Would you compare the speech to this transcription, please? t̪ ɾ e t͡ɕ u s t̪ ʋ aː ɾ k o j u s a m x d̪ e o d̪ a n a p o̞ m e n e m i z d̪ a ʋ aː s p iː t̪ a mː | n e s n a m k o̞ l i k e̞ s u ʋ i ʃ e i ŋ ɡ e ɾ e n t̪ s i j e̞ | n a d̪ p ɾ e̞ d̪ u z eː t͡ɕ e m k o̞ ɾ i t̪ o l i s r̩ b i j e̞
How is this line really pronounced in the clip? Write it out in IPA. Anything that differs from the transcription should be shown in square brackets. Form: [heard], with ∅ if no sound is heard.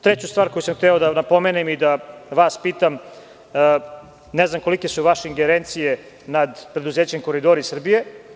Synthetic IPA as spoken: t̪ ɾ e t͡ɕ u s t̪ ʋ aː ɾ k o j u s a m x [t̪] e o d̪ a n a p o̞ m e n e m i [∅] d̪ a ʋ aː s p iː t̪ a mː | n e [z] n a m k o̞ l i k e̞ s u ʋ [a] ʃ e i ŋ ɡ e ɾ e n t̪ s i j e̞ | n a d̪ p ɾ e̞ d̪ u z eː t͡ɕ e m k o̞ ɾ i [d̪] o [ɾ] i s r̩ b i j e̞

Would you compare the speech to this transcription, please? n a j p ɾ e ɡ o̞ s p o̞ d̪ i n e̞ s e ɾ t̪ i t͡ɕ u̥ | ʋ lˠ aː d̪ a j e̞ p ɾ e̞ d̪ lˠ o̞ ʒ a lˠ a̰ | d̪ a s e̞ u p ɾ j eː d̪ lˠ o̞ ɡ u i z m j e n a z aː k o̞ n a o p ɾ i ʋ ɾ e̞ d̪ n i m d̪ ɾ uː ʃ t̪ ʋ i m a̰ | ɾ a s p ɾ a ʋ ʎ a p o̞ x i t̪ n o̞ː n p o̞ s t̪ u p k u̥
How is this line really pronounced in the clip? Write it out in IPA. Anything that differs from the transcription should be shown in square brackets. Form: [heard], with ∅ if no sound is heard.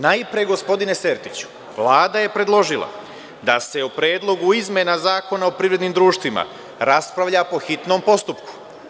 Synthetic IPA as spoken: n a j p ɾ e ɡ o̞ s p o̞ d̪ i n e̞ s e ɾ t̪ i t͡ɕ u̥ | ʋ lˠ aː d̪ a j e̞ p ɾ e̞ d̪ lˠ o̞ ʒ [i] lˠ a̰ | d̪ a s e̞ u p ɾ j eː d̪ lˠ o̞ ɡ u i z m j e n a z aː k o̞ n a o p ɾ i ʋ ɾ e̞ d̪ n i m d̪ ɾ uː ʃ t̪ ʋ i m a̰ | ɾ a s p ɾ a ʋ ʎ a p o̞ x i t̪ n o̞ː [m] p o̞ s t̪ u p k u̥

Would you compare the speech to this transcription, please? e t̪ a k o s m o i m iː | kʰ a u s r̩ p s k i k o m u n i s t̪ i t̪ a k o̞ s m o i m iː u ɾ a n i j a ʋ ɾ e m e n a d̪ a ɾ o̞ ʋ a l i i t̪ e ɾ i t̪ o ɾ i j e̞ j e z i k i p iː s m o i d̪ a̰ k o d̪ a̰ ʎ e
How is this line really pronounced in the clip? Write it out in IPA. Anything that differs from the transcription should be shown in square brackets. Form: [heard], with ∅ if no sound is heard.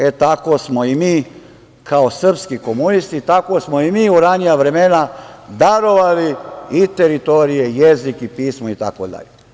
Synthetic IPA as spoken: e t̪ a k o s m o i m iː | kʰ a [o] s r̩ p s k i k o m u n i s t̪ i t̪ a k o̞ s m o i m iː u ɾ a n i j a ʋ ɾ e m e n a d̪ a ɾ o̞ ʋ a l i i t̪ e ɾ i t̪ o ɾ i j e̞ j e z i k i p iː s m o i [t̪] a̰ k o d̪ a̰ ʎ e

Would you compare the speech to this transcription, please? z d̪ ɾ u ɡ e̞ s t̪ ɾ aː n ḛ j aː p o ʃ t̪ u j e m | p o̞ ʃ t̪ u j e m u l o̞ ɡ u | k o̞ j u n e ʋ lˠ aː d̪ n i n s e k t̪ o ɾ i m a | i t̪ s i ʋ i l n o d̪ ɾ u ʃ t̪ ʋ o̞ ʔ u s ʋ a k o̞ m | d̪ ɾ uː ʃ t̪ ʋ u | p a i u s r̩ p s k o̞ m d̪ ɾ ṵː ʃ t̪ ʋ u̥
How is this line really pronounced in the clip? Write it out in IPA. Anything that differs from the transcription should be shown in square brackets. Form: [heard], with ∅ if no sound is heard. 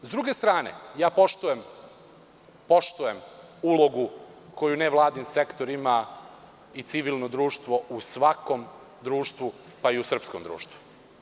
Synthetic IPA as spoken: z d̪ ɾ u ɡ e̞ s t̪ ɾ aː n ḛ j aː p o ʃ t̪ u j e m | p o̞ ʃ t̪ u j e m u l o̞ ɡ u | k o̞ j u n e ʋ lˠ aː d̪ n i n s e k t̪ o ɾ i m a | i t̪ s i ʋ i l n o d̪ ɾ [uː] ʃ t̪ ʋ o̞ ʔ u s ʋ a k o̞ m | d̪ ɾ uː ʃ t̪ ʋ u | p a i u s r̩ p s k o̞ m d̪ ɾ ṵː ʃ t̪ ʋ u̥

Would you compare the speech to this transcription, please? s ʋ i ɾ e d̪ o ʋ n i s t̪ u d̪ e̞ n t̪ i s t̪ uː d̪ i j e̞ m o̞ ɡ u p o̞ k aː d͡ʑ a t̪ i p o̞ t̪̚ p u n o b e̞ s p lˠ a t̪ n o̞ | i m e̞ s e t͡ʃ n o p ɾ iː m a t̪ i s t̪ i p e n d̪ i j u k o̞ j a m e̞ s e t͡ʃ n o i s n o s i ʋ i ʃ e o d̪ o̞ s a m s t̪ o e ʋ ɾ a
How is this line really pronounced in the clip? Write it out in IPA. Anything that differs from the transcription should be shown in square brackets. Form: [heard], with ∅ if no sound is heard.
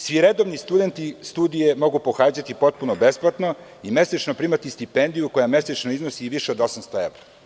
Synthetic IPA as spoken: s ʋ i ɾ e d̪ o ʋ n i s t̪ u d̪ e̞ n t̪ i s t̪ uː d̪ i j e̞ m o̞ ɡ u p o̞ [x] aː d͡ʑ a t̪ i p o̞ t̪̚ p u n o b e̞ s p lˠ a t̪ n o̞ | i m e̞ s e t͡ʃ n o p ɾ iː m a t̪ i s t̪ i p e n d̪ i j u k o̞ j a m e̞ s e t͡ʃ n o i [z] n o s i ʋ i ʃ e o d̪ o̞ s a m s t̪ o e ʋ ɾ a

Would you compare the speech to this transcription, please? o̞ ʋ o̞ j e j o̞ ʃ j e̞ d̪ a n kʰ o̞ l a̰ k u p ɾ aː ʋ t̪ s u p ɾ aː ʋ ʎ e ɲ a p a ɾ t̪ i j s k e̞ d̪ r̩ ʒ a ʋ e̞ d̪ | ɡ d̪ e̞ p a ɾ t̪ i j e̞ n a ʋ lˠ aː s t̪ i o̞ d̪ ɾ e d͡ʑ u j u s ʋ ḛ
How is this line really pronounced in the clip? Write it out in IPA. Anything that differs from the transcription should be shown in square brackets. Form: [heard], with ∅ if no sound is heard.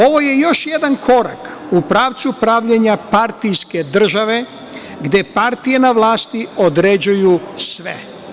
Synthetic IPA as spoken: o̞ ʋ o̞ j e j o̞ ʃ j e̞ d̪ a n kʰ o̞ [ɾ] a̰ k u p ɾ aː ʋ t̪ s u p ɾ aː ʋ ʎ e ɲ a p a ɾ t̪ i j s k e̞ d̪ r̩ ʒ a ʋ e̞ [∅] | ɡ d̪ e̞ p a ɾ t̪ i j e̞ n a ʋ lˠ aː s t̪ i o̞ d̪ ɾ e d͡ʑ u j u s ʋ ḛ

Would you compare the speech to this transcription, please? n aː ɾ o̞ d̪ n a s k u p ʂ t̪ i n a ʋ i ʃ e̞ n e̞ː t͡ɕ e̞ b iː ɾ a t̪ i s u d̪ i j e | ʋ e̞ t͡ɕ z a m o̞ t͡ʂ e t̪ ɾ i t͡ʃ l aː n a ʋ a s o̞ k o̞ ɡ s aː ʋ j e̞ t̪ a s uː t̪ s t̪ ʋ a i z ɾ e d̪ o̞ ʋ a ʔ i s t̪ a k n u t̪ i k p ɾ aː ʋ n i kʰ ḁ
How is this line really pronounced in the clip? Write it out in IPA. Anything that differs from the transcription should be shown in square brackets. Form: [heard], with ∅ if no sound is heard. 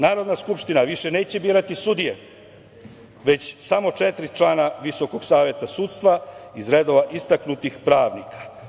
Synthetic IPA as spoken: n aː ɾ o̞ d̪ n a s k u p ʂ t̪ i n a ʋ i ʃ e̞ n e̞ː t͡ɕ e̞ b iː ɾ a t̪ i s u d̪ i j e | ʋ e̞ t͡ɕ [s] a m o̞ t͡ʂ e t̪ ɾ i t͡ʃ l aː n a ʋ [i] s o̞ k o̞ ɡ s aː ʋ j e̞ t̪ a s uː t̪ s t̪ ʋ a i z ɾ e d̪ o̞ ʋ a ʔ i s t̪ a k n u t̪ i [x] p ɾ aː ʋ n i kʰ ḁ

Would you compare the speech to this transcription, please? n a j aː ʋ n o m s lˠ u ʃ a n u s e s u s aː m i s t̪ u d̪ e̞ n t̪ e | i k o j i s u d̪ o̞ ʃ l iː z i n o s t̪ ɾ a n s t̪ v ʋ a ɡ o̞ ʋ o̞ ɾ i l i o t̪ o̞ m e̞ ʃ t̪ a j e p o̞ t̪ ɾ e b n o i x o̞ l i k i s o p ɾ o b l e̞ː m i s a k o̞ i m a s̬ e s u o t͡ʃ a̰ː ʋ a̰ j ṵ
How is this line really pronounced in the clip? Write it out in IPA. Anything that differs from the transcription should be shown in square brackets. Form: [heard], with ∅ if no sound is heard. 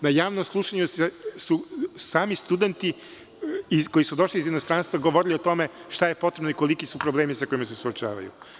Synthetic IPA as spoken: n a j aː ʋ n o m s lˠ u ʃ a [ɲ] u s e s u s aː m i s t̪ u d̪ e̞ n t̪ [i] | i k o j i s u d̪ o̞ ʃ l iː z i n o s t̪ ɾ a n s t̪ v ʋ a ɡ o̞ ʋ o̞ ɾ i l i o t̪ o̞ m e̞ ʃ t̪ a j e p o̞ t̪ ɾ e b n o i [k] o̞ l i k i s [u] p ɾ o b l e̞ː m i s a k o̞ i m a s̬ e s u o t͡ʃ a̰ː ʋ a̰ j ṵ

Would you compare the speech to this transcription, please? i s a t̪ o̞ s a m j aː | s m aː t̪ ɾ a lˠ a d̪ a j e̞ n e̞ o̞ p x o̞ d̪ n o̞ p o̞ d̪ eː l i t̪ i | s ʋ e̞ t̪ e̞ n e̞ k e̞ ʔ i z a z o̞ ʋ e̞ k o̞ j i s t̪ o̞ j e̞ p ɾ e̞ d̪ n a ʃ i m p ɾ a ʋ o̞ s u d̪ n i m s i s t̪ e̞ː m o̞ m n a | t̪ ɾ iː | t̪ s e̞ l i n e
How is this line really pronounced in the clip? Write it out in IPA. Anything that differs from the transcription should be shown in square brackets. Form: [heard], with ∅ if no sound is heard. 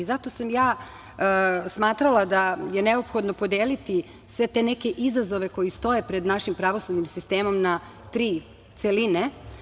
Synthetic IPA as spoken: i [z] a t̪ o̞ s a m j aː | s m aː t̪ ɾ a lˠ a d̪ a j e̞ n e̞ o̞ p x o̞ d̪ n o̞ p o̞ d̪ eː l i t̪ i | s ʋ e̞ t̪ e̞ n e̞ k e̞ ʔ i z a z o̞ ʋ e̞ k o̞ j i s t̪ o̞ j e̞ p ɾ e̞ d̪ n a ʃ i m p ɾ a ʋ o̞ s u d̪ n i m s i s t̪ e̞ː m o̞ m n a | t̪ ɾ iː | t̪ s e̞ l i n e

